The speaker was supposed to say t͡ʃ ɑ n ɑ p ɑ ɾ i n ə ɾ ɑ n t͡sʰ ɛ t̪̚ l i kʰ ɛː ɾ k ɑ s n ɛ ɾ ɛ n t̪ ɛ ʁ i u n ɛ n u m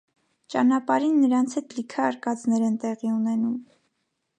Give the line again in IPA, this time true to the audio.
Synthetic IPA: t͡ʃ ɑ n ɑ p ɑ ɾ i nː ə ɾ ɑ n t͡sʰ ɛ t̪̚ l i kʰ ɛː ɾ k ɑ t͡s n ɛ ɾ ɛ n t̪ ɛ ʁ i u n ɛ n u m